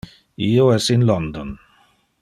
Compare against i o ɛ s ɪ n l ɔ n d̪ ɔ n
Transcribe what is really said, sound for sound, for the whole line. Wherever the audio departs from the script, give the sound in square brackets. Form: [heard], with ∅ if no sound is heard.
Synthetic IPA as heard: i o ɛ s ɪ n l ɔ n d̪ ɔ n